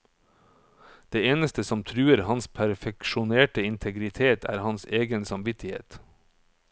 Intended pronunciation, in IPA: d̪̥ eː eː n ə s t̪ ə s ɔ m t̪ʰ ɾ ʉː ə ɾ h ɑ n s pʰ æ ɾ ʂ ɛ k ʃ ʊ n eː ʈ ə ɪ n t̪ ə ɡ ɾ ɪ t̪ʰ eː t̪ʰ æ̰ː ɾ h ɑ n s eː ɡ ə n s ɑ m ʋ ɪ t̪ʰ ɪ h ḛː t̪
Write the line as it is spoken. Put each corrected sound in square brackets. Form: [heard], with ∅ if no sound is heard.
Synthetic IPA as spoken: d̪̥ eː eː n ə s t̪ ə s ɔ m t̪ʰ ɾ ʉː ə ɾ h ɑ n s pʰ æ ɾ [f] ɛ k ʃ ʊ n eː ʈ ə ɪ n [t̪ʰ] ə ɡ ɾ ɪ t̪ʰ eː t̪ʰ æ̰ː ɾ h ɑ n s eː ɡ ə n s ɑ m ʋ ɪ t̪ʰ ɪ h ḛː t̪